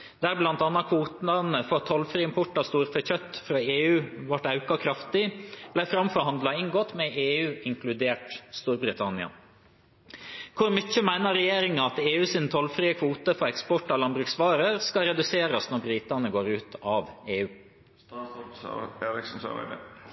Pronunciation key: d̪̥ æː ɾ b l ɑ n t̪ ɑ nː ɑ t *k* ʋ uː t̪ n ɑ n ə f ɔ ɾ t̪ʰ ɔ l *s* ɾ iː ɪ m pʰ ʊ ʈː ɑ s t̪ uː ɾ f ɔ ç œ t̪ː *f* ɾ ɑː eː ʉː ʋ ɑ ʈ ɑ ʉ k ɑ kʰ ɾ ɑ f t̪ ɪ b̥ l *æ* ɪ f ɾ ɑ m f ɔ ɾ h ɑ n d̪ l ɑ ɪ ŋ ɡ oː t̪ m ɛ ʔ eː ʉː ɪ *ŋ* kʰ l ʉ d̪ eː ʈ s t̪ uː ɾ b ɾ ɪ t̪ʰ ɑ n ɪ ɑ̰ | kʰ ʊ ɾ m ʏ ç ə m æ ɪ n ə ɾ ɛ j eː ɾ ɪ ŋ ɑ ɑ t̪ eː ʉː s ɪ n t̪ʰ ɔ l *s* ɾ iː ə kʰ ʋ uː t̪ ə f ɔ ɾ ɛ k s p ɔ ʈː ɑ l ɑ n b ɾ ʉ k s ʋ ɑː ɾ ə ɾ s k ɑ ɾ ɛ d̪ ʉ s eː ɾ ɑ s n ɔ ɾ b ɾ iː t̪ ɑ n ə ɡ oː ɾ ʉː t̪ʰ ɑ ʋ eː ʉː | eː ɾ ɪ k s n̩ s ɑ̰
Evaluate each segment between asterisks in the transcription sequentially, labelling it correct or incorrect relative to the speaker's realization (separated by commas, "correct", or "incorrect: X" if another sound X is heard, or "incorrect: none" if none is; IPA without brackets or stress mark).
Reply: incorrect: kʰ, incorrect: f, correct, correct, correct, incorrect: f